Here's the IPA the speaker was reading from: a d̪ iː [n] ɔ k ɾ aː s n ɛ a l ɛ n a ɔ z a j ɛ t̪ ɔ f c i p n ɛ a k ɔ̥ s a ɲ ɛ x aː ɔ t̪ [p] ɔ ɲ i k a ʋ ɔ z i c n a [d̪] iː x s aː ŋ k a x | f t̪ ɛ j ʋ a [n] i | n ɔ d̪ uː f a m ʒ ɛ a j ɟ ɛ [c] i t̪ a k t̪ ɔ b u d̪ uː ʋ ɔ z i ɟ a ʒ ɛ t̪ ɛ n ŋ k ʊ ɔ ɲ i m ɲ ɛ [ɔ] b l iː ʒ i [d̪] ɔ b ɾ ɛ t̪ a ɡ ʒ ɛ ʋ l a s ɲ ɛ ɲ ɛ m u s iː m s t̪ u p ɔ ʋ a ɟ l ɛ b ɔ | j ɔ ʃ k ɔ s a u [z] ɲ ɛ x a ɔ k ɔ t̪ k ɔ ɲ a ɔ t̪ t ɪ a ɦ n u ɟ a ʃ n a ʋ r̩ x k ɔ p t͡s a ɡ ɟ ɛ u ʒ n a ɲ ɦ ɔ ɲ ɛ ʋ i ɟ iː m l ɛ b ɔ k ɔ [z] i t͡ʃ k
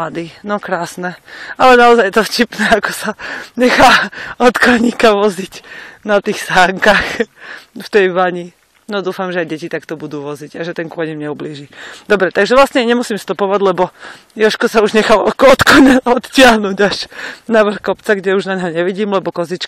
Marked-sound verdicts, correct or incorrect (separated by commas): correct, incorrect, incorrect, incorrect, correct, incorrect, correct, incorrect, correct